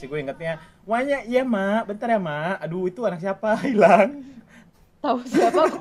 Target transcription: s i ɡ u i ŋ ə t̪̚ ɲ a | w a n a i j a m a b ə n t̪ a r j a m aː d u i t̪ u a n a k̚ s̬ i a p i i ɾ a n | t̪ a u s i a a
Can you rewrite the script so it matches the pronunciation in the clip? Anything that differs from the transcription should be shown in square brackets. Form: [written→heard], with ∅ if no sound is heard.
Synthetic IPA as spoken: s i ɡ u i ŋ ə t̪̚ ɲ a | w a [n→ɲ] a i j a m a b ə n t̪ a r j a m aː d u i t̪ u a n a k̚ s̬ i a p [i→a] i [ɾ→l] a [n→ŋ] | t̪ a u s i a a